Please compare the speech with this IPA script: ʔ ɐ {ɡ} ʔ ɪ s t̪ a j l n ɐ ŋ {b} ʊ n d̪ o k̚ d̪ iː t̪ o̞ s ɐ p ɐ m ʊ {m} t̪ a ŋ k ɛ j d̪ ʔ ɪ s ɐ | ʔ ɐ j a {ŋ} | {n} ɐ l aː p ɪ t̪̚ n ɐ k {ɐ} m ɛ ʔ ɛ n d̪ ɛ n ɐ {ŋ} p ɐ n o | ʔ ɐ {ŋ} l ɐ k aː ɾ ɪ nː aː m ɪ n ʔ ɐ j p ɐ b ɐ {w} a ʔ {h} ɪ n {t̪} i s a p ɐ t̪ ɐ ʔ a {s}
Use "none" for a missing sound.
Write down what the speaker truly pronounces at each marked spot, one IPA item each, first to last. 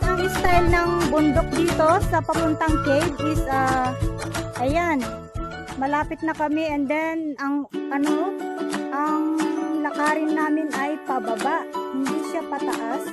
ŋ, b, n, n, m, ɐ, ŋ, ŋ, b, h, d̪, s

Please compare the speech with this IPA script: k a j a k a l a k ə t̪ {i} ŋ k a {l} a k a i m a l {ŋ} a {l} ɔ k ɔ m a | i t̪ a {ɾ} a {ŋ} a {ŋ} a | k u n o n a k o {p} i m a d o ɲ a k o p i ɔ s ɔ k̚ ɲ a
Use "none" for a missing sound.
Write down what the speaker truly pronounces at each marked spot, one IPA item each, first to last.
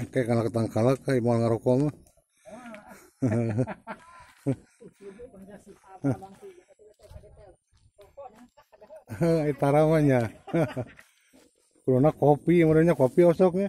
a, l, ŋ, ɾ, ɾ, m, ɲ, p

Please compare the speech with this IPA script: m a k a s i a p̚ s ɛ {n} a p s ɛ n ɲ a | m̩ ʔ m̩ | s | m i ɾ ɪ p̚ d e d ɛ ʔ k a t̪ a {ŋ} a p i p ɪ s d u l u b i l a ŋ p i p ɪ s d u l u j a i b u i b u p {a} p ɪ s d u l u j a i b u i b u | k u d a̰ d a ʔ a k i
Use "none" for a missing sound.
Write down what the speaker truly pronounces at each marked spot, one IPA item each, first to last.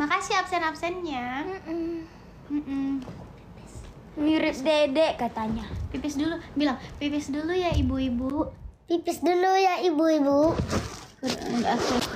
n, ɲ, i

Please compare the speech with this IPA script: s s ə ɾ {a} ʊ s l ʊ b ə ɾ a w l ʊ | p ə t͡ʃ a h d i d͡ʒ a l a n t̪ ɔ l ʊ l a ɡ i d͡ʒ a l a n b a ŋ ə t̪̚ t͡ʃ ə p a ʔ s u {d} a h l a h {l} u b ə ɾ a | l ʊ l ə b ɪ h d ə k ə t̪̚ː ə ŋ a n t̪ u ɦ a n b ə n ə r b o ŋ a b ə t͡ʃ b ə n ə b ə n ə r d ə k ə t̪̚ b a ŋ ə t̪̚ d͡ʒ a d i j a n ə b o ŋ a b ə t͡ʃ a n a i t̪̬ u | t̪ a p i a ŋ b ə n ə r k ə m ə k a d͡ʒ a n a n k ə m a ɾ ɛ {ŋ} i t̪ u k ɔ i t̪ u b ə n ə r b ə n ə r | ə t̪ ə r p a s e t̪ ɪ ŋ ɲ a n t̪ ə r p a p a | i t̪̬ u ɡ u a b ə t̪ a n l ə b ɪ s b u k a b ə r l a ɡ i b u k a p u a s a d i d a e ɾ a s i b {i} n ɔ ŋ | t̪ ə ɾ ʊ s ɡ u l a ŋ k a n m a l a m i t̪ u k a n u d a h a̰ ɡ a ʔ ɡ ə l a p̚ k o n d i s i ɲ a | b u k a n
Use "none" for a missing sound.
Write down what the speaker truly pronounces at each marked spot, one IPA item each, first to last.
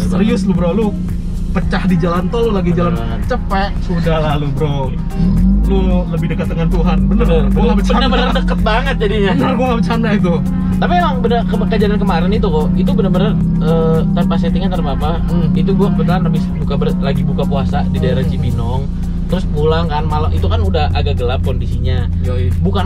i, d, l, n, i

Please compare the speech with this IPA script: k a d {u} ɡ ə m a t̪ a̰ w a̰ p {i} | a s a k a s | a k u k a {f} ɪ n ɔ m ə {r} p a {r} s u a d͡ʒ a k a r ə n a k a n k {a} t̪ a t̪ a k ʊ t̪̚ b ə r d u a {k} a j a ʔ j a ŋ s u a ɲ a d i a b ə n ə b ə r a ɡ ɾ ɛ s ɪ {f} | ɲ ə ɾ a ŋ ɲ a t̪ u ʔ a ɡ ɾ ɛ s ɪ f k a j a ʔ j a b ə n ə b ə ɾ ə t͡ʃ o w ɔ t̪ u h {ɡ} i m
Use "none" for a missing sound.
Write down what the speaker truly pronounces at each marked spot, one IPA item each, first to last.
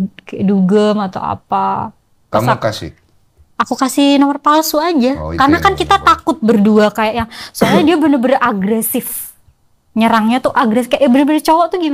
u, a, s, r, l, i, k, f, ɡ

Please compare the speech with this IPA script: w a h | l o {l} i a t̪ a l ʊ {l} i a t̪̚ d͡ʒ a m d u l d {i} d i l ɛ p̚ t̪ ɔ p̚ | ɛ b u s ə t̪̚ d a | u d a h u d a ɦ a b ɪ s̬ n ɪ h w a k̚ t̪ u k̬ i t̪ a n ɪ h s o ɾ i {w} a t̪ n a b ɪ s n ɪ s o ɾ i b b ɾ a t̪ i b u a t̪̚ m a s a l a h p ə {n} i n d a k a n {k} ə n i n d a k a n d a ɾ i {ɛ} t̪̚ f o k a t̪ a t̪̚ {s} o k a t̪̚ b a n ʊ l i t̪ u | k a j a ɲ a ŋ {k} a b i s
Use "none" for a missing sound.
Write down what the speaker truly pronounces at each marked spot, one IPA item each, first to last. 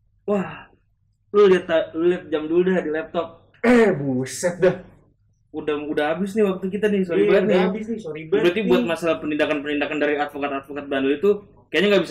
l, l, a, b, n, p, a, f, ɡ

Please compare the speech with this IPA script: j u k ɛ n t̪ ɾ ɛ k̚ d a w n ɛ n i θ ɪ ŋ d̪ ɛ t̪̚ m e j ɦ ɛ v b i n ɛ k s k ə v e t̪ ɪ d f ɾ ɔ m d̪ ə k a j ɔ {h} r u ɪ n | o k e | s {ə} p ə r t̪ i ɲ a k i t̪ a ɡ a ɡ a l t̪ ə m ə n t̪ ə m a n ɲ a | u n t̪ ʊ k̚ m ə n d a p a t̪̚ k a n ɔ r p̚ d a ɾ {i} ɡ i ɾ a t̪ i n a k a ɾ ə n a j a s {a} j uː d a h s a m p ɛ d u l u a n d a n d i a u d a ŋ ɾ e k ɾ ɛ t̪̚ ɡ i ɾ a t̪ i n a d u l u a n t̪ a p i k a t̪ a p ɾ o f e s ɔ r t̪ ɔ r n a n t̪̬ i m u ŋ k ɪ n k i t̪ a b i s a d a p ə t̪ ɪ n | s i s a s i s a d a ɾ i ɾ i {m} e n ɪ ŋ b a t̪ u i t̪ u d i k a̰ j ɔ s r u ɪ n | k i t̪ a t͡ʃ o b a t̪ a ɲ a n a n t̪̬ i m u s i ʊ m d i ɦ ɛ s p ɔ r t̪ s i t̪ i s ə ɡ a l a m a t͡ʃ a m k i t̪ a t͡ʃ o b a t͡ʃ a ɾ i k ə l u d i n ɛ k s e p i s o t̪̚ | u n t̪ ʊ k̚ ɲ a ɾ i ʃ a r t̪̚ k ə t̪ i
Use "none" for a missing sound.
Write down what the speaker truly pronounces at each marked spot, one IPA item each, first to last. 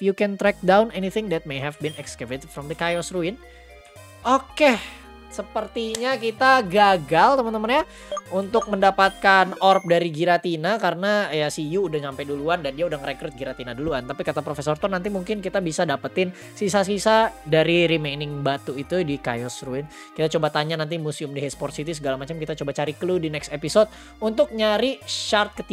s, ə, i, i, m

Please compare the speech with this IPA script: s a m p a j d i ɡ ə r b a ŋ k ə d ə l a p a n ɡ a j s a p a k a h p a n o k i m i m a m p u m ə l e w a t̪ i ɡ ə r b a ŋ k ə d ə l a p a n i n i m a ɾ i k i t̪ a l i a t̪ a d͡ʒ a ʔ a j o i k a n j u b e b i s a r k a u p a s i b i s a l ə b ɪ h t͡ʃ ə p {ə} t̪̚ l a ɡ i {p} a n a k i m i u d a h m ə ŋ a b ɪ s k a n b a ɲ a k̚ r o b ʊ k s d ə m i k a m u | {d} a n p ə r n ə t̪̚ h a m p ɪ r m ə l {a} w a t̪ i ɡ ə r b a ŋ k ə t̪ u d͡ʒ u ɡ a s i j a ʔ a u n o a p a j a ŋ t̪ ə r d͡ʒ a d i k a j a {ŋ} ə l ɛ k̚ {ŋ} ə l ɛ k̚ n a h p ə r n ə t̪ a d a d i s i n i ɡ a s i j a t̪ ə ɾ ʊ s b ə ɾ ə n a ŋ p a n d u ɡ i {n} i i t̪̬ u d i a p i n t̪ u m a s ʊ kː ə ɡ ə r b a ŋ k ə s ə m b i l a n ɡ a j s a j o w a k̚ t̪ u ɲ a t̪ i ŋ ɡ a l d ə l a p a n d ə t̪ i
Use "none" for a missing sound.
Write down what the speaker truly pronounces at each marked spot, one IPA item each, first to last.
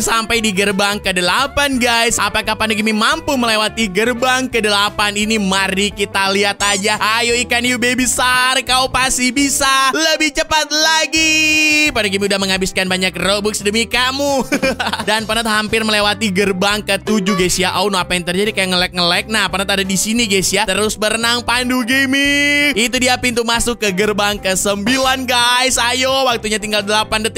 a, p, d, e, ŋ, ŋ, m

